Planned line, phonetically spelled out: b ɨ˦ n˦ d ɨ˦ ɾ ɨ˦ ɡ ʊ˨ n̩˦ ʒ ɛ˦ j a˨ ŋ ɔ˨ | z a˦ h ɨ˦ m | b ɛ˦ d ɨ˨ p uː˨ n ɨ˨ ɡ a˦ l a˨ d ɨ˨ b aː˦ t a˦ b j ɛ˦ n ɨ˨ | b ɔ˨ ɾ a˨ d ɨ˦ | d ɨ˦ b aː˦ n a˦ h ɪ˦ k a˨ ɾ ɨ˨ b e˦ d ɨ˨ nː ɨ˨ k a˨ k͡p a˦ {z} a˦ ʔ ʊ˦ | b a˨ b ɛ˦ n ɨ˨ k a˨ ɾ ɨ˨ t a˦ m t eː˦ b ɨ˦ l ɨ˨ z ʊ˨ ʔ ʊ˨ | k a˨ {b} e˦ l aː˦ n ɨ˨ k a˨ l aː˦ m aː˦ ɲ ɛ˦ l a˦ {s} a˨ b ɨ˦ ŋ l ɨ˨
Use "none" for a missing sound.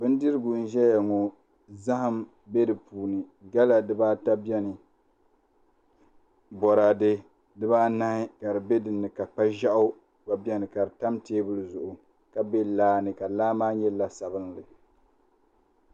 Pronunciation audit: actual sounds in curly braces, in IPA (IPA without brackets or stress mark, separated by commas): ʒ, b, s